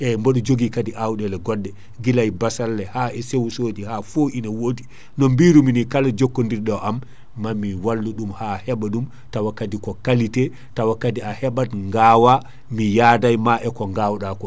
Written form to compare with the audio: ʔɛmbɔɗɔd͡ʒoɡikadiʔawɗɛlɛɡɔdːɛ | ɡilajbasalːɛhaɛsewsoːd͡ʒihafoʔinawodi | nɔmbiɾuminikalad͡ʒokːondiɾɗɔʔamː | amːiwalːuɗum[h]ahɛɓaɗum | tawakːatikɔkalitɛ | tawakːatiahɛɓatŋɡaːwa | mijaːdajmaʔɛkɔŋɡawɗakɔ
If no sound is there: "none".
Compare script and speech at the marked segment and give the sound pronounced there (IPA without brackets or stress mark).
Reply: h